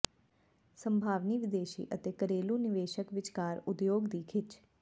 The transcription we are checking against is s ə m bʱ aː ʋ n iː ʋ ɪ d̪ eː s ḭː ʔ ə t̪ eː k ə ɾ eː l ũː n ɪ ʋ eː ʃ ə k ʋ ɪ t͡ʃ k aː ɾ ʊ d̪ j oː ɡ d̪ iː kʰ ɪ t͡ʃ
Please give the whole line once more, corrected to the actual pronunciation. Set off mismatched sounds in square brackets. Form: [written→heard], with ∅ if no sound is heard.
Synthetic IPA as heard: s ə m bʱ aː ʋ n iː ʋ ɪ d̪ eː [s→ʃ] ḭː ʔ ə t̪ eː k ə ɾ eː l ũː n ɪ ʋ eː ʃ ə k ʋ ɪ t͡ʃ k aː ɾ ʊ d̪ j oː ɡ d̪ iː kʰ ɪ t͡ʃ